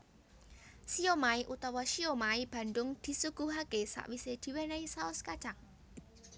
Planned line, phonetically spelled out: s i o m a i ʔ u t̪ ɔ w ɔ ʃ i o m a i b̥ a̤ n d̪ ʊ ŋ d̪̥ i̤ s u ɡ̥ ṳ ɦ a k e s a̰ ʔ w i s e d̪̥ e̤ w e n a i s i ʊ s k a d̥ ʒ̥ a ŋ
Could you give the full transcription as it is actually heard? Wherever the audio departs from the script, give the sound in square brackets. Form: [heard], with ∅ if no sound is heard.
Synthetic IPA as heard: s i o m a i ʔ u t̪ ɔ w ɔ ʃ i o m a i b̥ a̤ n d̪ ʊ ŋ d̪̥ i̤ s u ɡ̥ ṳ ɦ a k e s a̰ ʔ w i s e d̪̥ [i̤] w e n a i s [a] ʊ s k a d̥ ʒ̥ a ŋ

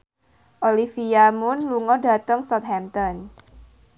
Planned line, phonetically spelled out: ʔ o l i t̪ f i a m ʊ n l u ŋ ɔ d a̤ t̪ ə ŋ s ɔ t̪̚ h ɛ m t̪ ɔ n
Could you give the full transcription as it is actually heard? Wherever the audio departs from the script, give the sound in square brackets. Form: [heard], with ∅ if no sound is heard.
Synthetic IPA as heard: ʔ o l i [∅] f i a m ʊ n l u ŋ ɔ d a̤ t̪ ə ŋ s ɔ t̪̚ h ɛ m t̪ ɔ n

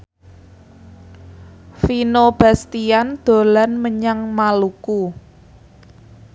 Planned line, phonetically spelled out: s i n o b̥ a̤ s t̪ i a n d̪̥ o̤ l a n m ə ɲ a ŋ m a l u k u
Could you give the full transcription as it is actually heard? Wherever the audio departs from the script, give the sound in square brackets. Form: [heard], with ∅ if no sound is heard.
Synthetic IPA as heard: [f] i n o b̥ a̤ s t̪ i a n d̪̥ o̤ l a n m ə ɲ a ŋ m a l u k u

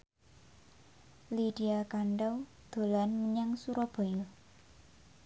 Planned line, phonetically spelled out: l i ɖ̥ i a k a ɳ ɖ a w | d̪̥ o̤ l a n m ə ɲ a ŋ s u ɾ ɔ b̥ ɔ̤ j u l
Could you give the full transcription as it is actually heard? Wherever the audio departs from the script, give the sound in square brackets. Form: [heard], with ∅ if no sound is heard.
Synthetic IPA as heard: l i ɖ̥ i a k a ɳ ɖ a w | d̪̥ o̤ l a n m ə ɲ a ŋ s u ɾ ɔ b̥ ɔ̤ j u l

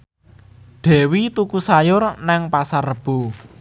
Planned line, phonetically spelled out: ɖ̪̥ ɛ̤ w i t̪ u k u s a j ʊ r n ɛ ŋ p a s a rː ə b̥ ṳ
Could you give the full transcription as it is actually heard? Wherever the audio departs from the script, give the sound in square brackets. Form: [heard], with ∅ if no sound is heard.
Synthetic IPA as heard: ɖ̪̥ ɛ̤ w i t̪ u k u s a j ʊ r n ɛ ŋ p a s a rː ə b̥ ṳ

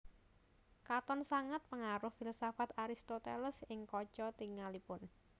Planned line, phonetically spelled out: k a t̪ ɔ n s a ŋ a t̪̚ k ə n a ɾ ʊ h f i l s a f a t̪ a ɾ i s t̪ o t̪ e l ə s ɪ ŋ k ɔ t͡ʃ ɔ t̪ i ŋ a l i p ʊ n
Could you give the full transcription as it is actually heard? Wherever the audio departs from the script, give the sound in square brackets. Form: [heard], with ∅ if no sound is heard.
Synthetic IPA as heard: k a t̪ ɔ n s a ŋ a t̪̚ [p] ə [ŋ] a ɾ ʊ h f i l s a f a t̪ a ɾ i s t̪ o t̪ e l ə s ɪ ŋ k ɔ t͡ʃ ɔ t̪ i ŋ a l i p ʊ n

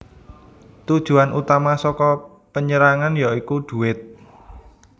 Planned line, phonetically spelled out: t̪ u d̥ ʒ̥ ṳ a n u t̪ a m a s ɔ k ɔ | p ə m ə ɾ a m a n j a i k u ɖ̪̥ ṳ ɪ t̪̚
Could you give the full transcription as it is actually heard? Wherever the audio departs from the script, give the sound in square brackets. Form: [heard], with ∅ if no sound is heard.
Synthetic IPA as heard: t̪ u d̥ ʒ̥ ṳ a n u t̪ a m a s ɔ k ɔ | p ə [ɲ] ə ɾ a [ŋ] a n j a i k u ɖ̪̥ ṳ ɪ t̪̚

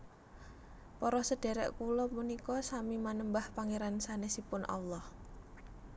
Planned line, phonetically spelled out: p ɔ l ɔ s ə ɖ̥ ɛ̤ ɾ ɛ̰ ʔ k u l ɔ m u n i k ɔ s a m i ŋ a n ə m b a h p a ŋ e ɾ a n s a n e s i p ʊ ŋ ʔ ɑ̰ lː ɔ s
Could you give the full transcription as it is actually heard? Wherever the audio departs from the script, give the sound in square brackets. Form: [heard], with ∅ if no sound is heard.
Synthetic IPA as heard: p ɔ [ɾ] ɔ s ə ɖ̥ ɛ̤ ɾ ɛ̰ ʔ k u l ɔ m u n i k ɔ s a m i [m] a n ə m b a h p a ŋ e ɾ a n s a n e s i p ʊ [n] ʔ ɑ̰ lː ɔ [h]

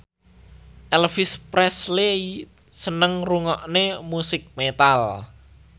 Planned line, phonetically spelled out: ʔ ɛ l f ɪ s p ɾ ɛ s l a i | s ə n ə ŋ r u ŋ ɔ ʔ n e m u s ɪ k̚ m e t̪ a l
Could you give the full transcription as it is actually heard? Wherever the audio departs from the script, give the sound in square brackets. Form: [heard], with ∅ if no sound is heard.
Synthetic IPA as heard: ʔ ɛ l f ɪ s p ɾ ɛ s l [e] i | s ə n ə ŋ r u ŋ ɔ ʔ n e m u s ɪ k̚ m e t̪ a l

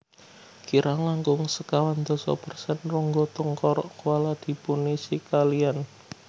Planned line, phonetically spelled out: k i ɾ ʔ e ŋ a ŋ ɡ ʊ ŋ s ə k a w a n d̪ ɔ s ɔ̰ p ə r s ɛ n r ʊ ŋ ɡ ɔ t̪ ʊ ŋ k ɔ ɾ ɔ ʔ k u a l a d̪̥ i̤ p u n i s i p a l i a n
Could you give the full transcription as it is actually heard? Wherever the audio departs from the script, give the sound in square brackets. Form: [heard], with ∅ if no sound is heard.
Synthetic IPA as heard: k i ɾ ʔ [a] ŋ a ŋ ɡ ʊ ŋ s ə k a w a n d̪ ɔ s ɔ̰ p ə r s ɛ n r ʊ ŋ ɡ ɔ t̪ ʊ ŋ k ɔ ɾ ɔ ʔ k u a l a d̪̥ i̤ p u n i s i [k] a l i a n

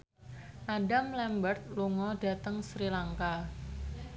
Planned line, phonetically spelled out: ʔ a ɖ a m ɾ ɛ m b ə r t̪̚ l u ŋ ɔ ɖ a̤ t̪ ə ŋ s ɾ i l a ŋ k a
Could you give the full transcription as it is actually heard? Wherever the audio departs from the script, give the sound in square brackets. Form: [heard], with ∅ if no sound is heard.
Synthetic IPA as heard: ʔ a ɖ a m [l] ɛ m b ə r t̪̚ l u ŋ ɔ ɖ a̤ t̪ ə ŋ s ɾ i l a ŋ k a

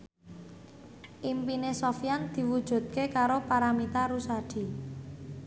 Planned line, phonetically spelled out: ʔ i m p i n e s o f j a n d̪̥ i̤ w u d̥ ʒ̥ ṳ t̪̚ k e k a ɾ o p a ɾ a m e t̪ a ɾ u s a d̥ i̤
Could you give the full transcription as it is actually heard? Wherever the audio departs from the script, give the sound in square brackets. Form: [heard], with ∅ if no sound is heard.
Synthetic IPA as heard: ʔ i m p i n e s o f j a n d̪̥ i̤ w u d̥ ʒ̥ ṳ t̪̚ k e k a ɾ o p a ɾ a m [i] t̪ a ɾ u s a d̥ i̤

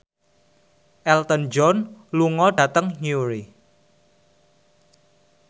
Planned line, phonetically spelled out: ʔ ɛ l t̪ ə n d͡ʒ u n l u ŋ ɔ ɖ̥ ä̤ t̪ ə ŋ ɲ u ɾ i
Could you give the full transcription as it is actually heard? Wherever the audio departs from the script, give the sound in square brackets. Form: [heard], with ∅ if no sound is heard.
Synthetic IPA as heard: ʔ ɛ l t̪ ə n d͡ʒ [ɔ] n l u ŋ ɔ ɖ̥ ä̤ t̪ ə ŋ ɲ u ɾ i

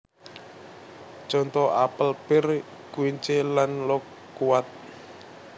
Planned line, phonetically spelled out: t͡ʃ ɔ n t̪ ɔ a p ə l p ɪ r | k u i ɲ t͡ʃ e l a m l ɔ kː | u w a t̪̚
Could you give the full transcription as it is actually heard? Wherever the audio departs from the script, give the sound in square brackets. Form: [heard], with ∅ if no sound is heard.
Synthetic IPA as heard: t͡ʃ ɔ n t̪ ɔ a p ə l p ɪ r | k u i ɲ t͡ʃ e l a [n] l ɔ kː | u w a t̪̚

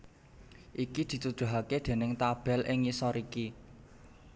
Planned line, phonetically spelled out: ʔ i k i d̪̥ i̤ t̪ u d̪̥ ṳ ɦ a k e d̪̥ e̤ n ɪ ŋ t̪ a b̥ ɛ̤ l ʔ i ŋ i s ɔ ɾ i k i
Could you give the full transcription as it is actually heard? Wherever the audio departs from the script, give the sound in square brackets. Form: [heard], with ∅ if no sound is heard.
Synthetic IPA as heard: ʔ i k i d̪̥ i̤ t̪ u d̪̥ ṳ ɦ a k e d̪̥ e̤ n ɪ ŋ t̪ a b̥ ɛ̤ l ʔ [ɪ] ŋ i s ɔ ɾ i k i

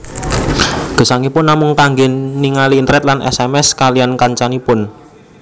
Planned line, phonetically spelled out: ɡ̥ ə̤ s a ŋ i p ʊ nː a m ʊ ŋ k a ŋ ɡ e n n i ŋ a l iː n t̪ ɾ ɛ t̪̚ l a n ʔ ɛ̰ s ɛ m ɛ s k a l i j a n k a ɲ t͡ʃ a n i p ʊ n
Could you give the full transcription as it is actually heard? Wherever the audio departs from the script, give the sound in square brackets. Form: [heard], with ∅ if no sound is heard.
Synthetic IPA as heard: ɡ̥ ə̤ s a ŋ i p ʊ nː a m ʊ ŋ k a ŋ ɡ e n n i ŋ a l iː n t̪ ɾ ɛ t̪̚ l a n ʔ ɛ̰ s ɛ m ɛ s k a l i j a n k a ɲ t͡ʃ a n i p ʊ n

